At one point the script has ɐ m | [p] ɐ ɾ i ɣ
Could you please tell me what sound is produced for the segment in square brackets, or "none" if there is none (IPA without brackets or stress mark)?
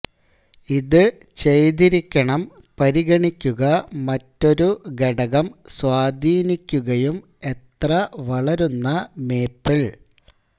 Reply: p